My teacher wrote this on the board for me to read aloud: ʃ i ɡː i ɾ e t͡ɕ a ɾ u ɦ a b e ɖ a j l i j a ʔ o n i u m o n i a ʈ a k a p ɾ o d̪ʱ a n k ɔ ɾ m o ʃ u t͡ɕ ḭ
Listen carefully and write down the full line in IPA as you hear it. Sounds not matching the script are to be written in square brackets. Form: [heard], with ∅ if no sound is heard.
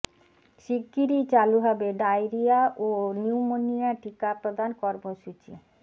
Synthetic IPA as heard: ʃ i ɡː i ɾ [i] t͡ɕ a [l] u ɦ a b e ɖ a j [ɾ] i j a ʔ o n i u m o n i a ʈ [i] k a p ɾ o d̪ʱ a n k ɔ ɾ m o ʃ u t͡ɕ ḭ